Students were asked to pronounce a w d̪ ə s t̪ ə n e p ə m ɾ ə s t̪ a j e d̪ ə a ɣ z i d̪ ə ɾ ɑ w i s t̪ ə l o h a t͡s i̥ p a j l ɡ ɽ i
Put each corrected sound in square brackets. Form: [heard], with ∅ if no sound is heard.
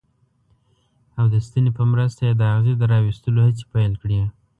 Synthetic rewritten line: a w d̪ ə s t̪ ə n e p ə m ɾ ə s t̪ a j e d̪ ə a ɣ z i d̪ ə ɾ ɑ w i s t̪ ə l o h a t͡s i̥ p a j l [k] ɽ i